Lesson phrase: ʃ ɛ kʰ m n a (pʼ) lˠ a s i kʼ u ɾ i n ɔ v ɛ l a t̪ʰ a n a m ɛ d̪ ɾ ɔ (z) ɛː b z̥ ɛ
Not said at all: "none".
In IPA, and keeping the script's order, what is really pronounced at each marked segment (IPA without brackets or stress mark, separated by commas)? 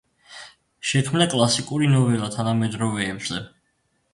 kʼ, v